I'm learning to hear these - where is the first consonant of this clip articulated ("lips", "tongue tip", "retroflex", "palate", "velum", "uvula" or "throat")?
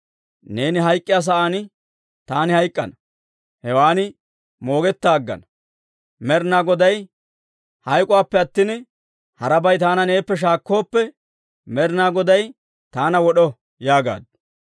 tongue tip